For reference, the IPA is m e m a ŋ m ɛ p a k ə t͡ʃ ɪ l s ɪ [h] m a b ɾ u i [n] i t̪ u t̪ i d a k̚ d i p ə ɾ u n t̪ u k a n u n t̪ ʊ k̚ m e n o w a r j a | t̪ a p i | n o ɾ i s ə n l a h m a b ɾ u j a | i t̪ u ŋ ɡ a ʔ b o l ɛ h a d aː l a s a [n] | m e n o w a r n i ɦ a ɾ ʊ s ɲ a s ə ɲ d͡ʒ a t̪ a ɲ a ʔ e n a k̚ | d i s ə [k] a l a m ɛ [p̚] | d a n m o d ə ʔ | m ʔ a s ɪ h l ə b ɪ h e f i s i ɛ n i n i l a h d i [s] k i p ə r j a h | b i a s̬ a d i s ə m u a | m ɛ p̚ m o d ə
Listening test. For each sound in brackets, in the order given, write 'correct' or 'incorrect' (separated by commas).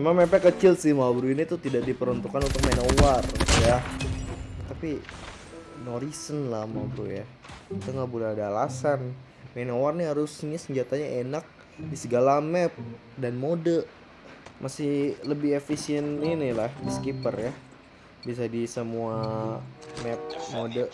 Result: correct, correct, correct, incorrect, correct, correct